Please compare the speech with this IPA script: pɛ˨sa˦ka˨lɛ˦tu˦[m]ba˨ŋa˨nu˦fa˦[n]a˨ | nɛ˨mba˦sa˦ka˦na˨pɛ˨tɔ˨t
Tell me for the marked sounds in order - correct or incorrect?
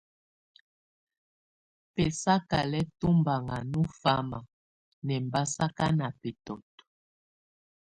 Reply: correct, incorrect: m

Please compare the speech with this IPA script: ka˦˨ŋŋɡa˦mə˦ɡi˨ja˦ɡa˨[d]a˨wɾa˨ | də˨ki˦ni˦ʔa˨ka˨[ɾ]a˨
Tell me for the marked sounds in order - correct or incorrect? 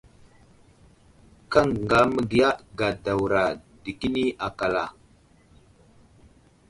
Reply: correct, incorrect: l

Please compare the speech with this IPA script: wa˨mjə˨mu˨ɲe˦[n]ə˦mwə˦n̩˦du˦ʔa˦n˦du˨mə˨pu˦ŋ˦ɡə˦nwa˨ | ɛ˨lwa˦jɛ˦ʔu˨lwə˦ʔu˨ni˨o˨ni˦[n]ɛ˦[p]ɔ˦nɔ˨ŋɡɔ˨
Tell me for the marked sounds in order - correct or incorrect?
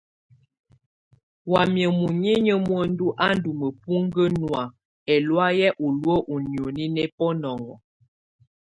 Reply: incorrect: ɲ, correct, correct

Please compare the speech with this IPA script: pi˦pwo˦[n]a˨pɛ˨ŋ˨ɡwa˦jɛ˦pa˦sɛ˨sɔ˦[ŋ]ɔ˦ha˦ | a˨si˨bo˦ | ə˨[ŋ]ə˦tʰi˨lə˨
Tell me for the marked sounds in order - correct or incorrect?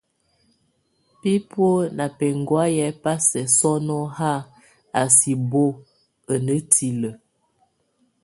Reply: correct, incorrect: n, incorrect: n

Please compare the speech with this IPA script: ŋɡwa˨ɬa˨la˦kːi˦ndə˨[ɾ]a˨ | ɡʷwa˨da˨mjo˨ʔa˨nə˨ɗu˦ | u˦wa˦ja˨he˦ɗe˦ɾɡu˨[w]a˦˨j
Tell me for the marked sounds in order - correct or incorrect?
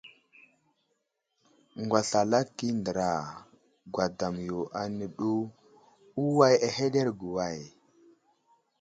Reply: correct, correct

